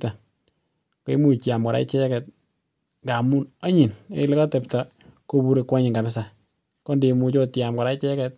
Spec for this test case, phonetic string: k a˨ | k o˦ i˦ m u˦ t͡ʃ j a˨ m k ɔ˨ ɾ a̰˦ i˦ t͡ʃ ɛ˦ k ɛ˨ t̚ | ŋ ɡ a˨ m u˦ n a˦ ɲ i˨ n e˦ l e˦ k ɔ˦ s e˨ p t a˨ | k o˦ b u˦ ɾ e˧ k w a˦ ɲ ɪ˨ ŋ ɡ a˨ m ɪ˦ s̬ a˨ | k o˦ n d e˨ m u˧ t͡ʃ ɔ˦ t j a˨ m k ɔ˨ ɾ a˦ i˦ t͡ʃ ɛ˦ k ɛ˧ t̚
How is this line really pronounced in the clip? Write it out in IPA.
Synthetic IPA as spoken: t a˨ | k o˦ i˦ m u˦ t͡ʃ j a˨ m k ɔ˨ ɾ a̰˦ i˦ t͡ʃ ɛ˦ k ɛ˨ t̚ | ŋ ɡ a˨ m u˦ n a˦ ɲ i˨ n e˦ l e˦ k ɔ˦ t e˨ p t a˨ | k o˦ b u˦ ɾ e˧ k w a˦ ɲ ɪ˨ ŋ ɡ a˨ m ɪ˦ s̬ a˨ | k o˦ n d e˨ m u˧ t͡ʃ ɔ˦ t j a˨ m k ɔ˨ ɾ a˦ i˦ t͡ʃ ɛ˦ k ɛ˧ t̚